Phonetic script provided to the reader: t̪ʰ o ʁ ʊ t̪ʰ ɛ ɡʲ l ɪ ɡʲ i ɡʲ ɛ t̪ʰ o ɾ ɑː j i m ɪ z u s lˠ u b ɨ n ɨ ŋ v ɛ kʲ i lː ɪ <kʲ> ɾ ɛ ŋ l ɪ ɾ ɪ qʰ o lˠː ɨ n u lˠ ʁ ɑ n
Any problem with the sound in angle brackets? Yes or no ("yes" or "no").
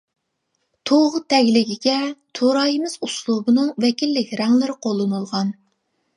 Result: no